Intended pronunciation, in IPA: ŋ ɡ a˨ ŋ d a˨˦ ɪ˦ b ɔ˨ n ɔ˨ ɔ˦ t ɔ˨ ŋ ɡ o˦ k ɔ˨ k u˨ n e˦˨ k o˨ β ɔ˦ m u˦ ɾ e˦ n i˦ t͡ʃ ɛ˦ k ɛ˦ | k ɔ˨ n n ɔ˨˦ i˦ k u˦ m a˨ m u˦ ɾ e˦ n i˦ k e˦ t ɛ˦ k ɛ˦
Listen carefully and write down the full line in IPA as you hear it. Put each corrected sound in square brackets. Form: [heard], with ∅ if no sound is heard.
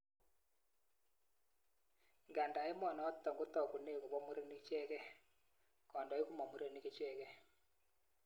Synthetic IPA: ŋ ɡ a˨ [n] d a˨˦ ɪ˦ [m] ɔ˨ n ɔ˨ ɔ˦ t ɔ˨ ŋ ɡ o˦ [t] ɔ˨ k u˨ n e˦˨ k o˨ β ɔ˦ m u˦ ɾ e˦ n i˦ t͡ʃ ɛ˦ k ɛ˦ | k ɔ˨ n [d] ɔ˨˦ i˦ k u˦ m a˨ m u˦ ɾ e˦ n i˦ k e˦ [t͡ʃ] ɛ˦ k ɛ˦